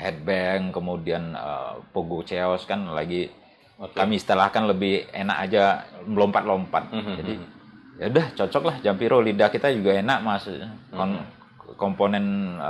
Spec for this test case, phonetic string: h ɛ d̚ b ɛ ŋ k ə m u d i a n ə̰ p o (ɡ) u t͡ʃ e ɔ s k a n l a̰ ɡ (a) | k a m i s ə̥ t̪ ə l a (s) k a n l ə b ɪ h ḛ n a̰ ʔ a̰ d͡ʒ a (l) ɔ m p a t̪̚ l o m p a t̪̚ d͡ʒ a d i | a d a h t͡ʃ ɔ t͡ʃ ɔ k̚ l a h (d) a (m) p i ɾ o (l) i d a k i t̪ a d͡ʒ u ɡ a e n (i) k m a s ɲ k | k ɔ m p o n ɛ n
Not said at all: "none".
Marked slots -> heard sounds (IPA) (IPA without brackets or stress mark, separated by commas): ɡ, i, h, l, d͡ʒ, m, l, a